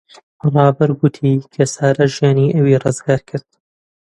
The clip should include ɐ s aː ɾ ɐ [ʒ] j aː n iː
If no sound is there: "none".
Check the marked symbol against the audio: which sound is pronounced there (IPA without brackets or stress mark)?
ʒ